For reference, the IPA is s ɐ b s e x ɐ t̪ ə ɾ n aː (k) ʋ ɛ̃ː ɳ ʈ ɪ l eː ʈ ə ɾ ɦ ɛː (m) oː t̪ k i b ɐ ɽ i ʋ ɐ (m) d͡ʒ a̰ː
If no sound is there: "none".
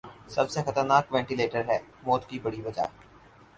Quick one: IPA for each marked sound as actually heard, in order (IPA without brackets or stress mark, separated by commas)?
k, m, none